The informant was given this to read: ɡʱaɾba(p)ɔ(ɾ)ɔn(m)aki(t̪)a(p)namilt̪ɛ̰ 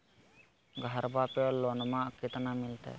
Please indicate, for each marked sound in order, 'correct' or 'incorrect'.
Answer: correct, incorrect: l, correct, correct, incorrect: none

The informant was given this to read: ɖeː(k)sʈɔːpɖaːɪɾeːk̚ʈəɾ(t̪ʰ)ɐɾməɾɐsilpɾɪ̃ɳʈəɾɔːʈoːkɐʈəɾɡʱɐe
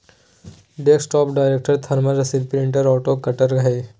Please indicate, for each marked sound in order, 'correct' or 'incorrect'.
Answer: correct, correct

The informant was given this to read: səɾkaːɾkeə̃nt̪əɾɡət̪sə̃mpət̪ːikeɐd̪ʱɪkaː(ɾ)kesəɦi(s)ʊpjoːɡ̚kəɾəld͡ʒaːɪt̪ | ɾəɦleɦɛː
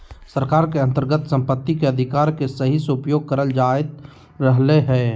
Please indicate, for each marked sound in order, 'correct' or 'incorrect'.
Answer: correct, correct

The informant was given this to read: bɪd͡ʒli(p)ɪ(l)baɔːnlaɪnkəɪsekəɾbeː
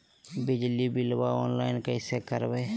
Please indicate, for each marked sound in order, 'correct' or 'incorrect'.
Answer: incorrect: b, correct

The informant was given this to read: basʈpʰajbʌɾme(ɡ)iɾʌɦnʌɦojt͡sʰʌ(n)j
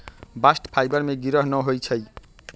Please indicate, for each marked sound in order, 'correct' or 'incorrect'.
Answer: correct, incorrect: none

